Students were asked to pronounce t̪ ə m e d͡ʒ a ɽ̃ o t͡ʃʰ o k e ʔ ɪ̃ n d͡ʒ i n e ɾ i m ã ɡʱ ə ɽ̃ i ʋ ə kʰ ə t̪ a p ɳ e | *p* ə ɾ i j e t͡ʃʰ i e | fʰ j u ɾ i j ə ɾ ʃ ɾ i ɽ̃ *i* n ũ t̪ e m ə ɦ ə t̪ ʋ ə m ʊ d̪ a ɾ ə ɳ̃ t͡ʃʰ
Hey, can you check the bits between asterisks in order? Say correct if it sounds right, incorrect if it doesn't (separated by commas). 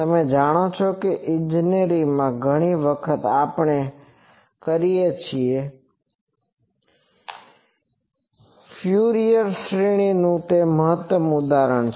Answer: incorrect, correct